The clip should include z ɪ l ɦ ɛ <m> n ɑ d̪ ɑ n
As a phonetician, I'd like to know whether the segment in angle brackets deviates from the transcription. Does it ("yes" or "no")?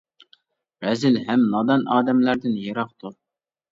no